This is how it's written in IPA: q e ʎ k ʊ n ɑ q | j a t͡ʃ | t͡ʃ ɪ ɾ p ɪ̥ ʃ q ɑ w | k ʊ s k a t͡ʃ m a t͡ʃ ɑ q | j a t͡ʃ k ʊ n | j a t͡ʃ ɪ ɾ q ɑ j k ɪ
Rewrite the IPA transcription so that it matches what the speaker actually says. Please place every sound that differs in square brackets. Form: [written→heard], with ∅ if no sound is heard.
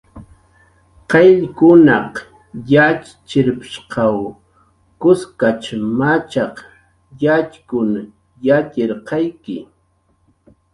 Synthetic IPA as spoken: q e ʎ k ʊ n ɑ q | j a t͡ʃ | t͡ʃ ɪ ɾ p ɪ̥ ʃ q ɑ w | k ʊ s k a t͡ʃ m a t͡ʃ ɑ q | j a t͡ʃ k ʊ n | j a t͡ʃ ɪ ɾ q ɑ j k ɪ